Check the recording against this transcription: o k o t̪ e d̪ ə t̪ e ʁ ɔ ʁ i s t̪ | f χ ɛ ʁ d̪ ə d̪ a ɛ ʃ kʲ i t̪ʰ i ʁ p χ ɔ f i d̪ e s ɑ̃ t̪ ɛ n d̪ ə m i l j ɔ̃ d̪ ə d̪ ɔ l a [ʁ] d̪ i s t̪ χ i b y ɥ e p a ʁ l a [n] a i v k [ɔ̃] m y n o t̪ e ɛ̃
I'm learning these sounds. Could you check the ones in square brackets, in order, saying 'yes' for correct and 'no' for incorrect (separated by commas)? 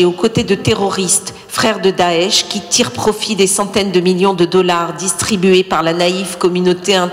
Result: yes, yes, no